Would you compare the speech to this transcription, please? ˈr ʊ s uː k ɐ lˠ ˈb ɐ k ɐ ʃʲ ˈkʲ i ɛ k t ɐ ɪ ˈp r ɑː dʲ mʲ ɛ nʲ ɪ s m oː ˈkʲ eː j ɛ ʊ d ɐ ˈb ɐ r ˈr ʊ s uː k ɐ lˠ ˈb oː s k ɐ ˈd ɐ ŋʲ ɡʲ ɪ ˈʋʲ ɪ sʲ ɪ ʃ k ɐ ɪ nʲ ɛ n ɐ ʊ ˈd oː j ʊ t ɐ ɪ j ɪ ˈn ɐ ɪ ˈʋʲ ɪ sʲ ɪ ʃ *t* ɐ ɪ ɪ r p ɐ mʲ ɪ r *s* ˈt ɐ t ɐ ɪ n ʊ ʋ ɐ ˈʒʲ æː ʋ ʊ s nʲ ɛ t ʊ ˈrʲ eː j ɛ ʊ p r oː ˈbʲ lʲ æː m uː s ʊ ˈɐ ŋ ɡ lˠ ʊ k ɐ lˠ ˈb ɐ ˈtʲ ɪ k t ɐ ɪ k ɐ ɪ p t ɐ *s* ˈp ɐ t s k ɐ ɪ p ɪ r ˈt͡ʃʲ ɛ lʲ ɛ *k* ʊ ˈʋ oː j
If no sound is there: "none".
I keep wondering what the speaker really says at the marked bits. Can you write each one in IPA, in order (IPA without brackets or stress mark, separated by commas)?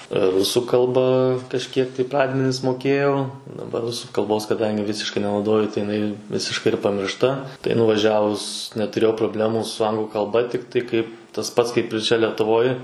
k, ʃ, s, t